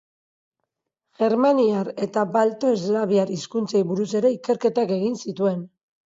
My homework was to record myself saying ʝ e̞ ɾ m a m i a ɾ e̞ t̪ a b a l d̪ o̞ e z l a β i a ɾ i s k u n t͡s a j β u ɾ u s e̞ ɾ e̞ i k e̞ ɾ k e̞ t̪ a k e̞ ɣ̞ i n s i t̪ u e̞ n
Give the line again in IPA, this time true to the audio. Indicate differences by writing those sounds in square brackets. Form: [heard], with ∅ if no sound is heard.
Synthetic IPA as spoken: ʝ e̞ ɾ m a [n] i a ɾ e̞ t̪ a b a l [t̪] o̞ e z l a β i a ɾ i s k u n t͡s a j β u ɾ u s e̞ ɾ e̞ i k e̞ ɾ k e̞ t̪ a k e̞ ɣ̞ i n s i t̪ u e̞ n